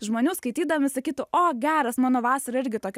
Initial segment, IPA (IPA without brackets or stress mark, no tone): ʒ